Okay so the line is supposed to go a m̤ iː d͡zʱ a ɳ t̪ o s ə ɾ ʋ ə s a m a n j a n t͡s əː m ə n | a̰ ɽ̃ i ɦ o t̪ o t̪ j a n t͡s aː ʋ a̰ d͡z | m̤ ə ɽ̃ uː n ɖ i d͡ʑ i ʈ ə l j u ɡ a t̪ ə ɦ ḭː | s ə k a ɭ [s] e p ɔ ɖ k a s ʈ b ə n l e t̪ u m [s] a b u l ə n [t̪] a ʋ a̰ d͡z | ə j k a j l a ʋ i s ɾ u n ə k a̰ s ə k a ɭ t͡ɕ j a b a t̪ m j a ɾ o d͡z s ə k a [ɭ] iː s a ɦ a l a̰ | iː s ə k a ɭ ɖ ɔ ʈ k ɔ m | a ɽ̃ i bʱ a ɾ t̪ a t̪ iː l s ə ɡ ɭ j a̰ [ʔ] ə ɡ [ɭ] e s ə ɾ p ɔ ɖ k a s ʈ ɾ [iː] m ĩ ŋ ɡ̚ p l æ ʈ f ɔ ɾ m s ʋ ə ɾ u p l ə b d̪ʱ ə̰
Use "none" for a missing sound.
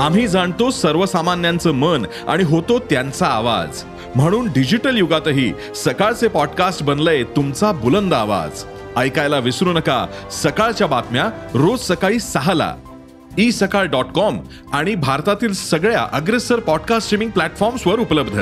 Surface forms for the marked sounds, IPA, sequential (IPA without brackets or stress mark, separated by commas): t͡s, t͡s, d̪, ɭ, ʔ, ɾ, i